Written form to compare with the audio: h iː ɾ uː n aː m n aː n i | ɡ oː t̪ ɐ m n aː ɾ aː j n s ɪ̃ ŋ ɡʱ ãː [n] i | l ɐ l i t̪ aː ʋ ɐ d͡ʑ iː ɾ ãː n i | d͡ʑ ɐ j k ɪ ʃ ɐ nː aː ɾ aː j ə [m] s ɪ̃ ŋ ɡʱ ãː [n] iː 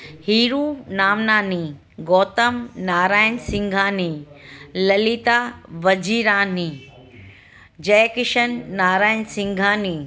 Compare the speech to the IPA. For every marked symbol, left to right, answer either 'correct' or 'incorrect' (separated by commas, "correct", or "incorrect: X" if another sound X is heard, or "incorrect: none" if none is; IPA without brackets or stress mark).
correct, incorrect: n, correct